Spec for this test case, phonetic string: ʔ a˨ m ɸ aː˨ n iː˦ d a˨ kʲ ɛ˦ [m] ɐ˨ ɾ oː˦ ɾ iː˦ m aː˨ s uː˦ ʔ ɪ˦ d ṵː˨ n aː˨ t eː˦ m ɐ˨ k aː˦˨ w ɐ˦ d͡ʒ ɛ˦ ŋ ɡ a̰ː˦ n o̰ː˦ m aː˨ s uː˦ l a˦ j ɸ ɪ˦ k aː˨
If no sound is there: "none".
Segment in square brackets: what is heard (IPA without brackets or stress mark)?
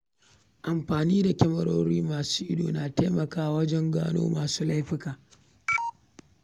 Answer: m